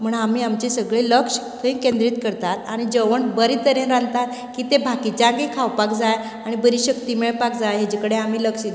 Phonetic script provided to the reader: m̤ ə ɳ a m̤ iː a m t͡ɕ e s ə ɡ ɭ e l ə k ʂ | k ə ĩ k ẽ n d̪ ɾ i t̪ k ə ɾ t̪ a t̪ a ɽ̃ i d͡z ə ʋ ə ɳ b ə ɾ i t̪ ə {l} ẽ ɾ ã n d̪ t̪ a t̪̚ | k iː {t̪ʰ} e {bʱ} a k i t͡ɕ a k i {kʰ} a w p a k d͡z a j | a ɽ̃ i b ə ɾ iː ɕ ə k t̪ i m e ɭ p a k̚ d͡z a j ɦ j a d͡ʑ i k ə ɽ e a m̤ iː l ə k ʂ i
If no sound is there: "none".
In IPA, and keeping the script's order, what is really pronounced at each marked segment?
ɾ, t̪, bʱ, kʰ

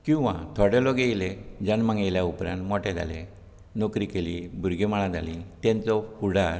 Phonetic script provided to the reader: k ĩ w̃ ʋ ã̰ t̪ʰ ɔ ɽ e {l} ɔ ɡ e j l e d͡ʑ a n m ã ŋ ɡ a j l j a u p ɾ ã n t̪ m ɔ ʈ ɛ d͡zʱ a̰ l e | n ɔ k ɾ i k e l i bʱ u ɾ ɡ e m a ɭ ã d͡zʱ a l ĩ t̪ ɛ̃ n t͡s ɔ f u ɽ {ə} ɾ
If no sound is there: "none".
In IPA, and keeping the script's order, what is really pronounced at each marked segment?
l, a

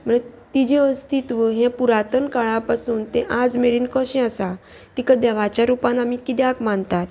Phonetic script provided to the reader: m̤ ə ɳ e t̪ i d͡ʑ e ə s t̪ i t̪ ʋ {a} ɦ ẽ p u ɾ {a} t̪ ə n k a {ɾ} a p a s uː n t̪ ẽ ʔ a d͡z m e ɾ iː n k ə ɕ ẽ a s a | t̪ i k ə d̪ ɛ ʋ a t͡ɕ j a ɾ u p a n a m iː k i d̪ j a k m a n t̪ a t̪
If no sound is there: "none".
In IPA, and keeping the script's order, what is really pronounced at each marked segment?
ə, a, ɭ

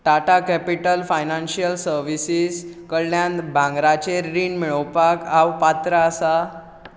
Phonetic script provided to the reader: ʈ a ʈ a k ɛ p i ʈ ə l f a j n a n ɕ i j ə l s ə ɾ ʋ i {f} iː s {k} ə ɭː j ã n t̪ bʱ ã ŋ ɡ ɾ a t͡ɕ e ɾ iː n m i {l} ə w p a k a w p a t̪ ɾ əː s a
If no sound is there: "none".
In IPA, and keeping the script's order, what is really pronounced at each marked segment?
s, k, ɭ

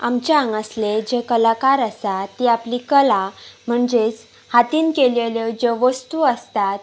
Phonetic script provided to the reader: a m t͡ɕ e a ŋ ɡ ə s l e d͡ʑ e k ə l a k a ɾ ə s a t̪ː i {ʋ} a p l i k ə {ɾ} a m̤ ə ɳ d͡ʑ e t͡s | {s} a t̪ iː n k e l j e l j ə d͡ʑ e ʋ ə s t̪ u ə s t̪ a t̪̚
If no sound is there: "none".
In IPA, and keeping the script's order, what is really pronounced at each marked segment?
none, l, h

